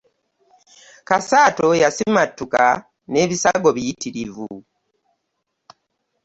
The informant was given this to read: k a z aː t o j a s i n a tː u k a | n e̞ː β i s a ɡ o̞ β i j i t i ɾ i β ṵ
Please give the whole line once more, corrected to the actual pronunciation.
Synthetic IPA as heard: k a s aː t o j a s i m a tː u k a | n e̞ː β i s a ɡ o̞ β i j i t i ɾ i v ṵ